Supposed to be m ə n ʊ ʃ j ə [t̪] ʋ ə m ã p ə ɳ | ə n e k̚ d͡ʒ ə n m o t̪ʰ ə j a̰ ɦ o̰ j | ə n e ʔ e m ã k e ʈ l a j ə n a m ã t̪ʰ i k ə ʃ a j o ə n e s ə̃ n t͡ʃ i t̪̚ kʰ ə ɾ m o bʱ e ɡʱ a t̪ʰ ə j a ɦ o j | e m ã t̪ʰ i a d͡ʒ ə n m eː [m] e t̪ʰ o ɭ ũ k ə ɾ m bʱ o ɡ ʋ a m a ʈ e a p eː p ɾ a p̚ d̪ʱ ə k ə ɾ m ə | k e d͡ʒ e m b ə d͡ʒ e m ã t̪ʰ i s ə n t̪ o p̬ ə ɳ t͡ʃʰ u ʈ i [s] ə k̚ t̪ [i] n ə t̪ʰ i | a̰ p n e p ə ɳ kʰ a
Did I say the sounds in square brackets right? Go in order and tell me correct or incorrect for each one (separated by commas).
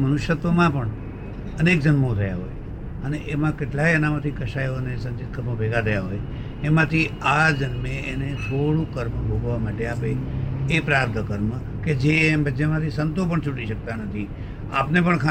correct, incorrect, incorrect, incorrect